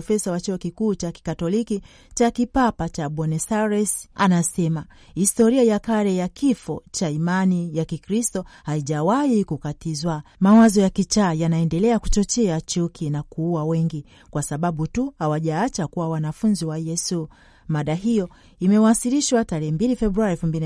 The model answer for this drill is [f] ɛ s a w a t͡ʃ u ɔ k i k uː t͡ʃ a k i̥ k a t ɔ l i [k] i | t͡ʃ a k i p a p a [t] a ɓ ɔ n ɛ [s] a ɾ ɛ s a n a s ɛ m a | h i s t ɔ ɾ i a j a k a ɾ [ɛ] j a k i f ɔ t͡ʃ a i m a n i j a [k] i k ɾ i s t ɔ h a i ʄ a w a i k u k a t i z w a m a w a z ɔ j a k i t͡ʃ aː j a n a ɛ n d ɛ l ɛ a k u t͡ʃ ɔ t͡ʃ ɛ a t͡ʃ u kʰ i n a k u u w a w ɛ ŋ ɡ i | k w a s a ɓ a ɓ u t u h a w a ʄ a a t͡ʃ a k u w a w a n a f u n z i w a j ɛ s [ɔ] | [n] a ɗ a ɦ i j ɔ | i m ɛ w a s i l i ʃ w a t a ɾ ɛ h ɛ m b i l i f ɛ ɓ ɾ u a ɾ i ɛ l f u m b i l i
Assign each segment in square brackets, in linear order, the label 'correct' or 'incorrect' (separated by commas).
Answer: correct, correct, incorrect, correct, correct, correct, incorrect, incorrect